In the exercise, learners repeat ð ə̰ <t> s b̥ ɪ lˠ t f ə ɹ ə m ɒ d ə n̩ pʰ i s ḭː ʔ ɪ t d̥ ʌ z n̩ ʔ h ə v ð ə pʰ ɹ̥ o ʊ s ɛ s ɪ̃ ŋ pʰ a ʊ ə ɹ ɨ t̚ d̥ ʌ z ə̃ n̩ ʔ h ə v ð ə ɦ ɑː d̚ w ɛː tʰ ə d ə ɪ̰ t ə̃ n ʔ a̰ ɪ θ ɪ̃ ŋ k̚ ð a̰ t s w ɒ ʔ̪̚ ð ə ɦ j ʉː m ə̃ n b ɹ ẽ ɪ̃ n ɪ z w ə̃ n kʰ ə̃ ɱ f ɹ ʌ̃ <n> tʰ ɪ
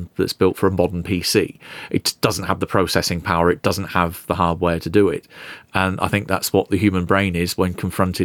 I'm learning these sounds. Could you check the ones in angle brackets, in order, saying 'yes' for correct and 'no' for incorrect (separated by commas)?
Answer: yes, yes